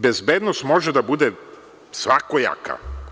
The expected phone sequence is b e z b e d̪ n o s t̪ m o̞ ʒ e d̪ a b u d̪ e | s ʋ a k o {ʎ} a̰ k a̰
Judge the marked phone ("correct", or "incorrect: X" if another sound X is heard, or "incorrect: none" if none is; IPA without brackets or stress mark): incorrect: j